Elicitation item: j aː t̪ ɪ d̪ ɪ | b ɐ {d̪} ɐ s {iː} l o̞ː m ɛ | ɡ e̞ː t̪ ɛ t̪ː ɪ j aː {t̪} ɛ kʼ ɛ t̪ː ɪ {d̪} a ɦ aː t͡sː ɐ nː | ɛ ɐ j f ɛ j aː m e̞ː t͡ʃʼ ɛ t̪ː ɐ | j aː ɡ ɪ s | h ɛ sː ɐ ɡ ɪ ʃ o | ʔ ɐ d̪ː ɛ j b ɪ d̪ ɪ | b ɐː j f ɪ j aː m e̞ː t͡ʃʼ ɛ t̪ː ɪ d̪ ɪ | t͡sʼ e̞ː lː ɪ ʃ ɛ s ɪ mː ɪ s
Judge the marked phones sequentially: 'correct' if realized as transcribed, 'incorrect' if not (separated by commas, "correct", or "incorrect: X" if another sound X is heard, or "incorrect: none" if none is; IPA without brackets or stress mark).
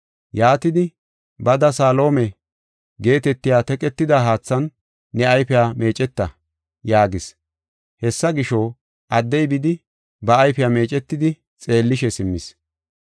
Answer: correct, incorrect: aː, correct, correct